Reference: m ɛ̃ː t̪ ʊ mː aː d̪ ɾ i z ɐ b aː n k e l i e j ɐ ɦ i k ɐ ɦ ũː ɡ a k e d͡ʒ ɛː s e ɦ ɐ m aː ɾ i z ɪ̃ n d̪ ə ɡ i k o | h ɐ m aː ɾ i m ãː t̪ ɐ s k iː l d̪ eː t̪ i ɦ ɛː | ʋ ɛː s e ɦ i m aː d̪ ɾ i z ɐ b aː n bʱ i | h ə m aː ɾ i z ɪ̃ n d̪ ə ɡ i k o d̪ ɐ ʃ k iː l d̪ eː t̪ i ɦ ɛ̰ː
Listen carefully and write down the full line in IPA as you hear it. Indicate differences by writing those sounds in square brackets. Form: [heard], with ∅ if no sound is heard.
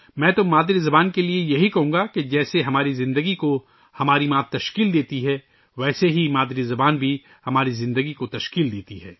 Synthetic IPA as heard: m ɛ̃ː t̪ ʊ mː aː d̪ ɾ i z ɐ b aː n k e l i e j ɐ ɦ i k ɐ ɦ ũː ɡ a k e d͡ʒ ɛː s e ɦ ɐ m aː ɾ i z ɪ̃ n d̪ ə ɡ i k o | h ɐ m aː ɾ i m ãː t̪ ɐ [ʃ] k iː l d̪ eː t̪ i ɦ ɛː | ʋ ɛː s e ɦ i m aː d̪ ɾ i z ɐ b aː n bʱ i | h [ɐ] m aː ɾ i z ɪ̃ n d̪ ə ɡ i k o [t̪] ɐ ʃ k iː l d̪ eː t̪ i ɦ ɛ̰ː

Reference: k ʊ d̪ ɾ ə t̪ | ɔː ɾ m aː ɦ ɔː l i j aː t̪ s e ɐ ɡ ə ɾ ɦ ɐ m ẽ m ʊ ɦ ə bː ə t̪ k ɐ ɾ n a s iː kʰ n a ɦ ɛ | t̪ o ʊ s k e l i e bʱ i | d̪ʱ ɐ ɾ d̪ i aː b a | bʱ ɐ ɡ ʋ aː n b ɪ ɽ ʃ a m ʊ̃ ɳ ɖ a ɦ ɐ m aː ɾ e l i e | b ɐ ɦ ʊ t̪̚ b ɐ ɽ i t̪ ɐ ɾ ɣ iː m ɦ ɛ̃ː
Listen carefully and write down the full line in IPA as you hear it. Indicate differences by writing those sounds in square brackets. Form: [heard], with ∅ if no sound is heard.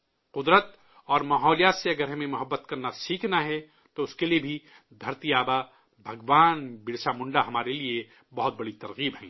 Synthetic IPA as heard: [q] ʊ d̪ ɾ ə t̪ | ɔː ɾ m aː ɦ ɔː l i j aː t̪ s e ɐ ɡ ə ɾ ɦ ɐ m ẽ m ʊ ɦ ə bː ə t̪ k ɐ ɾ n a s iː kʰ n a ɦ ɛ | t̪ o ʊ s k e l i e bʱ i | d̪ʱ ɐ ɾ [t̪] i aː b a | bʱ ɐ ɡ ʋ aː n b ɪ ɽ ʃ a m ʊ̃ ɳ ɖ a ɦ ɐ m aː ɾ e l i e | b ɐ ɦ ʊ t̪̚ b ɐ ɽ i t̪ ɐ ɾ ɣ iː [b] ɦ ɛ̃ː

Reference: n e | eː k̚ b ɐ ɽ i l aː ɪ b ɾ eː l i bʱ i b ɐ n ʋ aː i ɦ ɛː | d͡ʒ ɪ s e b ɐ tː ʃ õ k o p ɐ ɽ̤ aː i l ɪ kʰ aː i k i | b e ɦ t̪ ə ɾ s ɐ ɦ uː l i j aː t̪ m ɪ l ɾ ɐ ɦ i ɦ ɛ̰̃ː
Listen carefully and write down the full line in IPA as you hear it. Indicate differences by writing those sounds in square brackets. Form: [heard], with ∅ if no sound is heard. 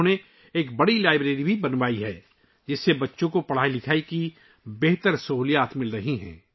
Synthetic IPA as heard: n e | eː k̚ b ɐ ɽ i l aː ɪ b ɾ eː [ɾ] i bʱ i b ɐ n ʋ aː i ɦ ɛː | d͡ʒ ɪ [sː] e b ɐ tː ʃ õ k o p ɐ ɽ̤ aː i l ɪ kʰ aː i k i | b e ɦ t̪ ə ɾ s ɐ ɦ uː l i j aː t̪ m ɪ l ɾ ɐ ɦ i ɦ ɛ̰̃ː

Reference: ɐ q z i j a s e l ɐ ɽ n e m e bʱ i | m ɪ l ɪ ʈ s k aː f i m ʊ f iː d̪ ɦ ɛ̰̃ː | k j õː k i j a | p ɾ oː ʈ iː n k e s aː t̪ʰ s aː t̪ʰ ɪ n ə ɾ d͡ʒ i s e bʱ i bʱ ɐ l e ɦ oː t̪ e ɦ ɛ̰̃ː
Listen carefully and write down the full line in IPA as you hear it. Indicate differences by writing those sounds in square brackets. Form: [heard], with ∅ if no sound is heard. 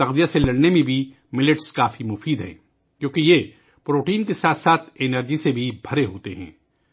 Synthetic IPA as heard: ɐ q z i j a s e l ɐ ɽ n e m [ẽ] bʱ i | m ɪ l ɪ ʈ s k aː f i m ʊ f iː d̪ ɦ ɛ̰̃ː | k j õː k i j [e] | p ɾ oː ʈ iː n k e s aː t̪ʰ s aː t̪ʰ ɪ n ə ɾ d͡ʒ i s e bʱ i bʱ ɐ [ɾ] e ɦ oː t̪ e ɦ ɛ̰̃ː

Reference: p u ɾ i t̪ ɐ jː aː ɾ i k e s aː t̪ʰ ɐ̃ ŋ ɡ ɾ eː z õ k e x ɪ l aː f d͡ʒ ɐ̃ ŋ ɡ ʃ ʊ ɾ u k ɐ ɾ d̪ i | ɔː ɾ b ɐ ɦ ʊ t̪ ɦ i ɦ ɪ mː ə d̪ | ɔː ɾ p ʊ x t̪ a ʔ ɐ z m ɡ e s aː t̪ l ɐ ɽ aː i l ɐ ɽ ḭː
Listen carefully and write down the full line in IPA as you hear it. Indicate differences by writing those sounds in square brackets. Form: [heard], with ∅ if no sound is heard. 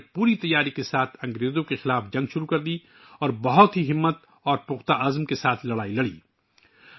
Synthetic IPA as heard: p [uː] ɾ i t̪ ɐ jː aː ɾ i k e s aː t̪ʰ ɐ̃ ŋ ɡ ɾ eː z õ k e x ɪ l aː f d͡ʒ ɐ̃ ŋ ɡ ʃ ʊ ɾ u k ɐ ɾ d̪ i | ɔː ɾ b ɐ ɦ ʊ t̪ ɦ i ɦ ɪ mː ə [t̪] | ɔː ɾ p ʊ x t̪ a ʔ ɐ z m [k] e s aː [t̪ʰ] l ɐ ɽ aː i l ɐ ɽ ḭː

